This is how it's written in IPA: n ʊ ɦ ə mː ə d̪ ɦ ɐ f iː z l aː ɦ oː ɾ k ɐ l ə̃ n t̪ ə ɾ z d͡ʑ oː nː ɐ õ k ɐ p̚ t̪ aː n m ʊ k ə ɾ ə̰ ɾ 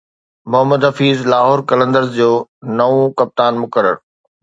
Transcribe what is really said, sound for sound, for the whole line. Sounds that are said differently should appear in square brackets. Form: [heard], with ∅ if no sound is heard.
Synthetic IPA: [m] ʊ ɦ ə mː ə d̪ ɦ ɐ f iː z l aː ɦ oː ɾ k ɐ l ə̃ n [d̪] ə ɾ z d͡ʑ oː [n] ɐ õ k ɐ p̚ t̪ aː n m ʊ k ə ɾ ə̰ ɾ